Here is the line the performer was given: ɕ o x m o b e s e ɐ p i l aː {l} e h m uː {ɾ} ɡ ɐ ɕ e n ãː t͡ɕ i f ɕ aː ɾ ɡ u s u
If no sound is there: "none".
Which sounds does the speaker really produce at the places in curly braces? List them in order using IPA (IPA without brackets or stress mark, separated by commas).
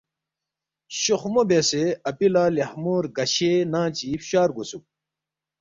l, ɾ